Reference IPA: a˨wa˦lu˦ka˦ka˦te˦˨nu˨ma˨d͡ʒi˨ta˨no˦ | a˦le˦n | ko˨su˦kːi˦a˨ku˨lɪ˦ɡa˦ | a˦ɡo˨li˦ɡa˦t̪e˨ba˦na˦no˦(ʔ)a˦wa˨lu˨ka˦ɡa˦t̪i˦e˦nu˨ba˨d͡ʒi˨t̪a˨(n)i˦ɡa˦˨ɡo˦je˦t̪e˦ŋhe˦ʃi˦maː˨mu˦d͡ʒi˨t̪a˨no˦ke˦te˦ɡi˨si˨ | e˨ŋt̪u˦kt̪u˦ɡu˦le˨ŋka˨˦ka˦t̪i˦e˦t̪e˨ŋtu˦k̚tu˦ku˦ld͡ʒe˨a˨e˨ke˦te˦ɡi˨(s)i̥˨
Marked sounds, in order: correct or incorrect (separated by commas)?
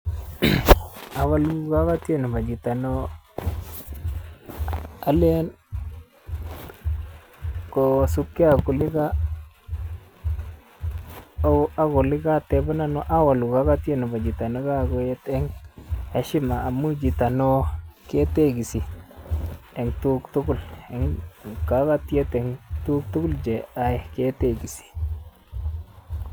correct, correct, correct